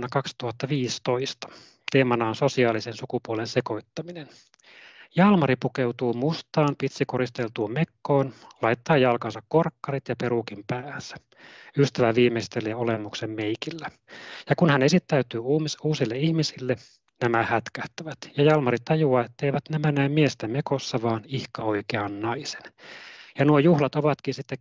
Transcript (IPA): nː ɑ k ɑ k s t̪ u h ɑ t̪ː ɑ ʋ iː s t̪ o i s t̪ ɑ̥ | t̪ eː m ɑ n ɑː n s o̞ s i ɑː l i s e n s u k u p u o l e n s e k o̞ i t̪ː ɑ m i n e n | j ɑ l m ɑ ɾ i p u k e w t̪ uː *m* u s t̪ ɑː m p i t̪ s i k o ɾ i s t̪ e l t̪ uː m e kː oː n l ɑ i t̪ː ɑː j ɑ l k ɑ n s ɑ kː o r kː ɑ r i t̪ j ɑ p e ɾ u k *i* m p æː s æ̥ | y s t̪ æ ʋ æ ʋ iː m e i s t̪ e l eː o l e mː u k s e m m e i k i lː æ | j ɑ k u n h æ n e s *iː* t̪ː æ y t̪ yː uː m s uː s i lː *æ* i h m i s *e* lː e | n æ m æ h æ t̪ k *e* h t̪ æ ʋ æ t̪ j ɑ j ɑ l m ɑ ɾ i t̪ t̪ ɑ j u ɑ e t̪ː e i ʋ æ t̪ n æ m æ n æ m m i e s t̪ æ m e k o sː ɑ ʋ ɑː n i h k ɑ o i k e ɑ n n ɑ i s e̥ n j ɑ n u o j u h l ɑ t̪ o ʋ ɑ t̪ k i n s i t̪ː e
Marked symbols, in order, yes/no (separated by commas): yes, yes, no, no, no, no